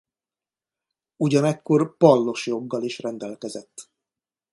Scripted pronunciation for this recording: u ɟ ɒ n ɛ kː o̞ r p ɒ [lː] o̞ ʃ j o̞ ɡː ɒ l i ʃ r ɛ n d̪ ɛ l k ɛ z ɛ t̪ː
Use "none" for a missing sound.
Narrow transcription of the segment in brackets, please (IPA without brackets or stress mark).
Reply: lː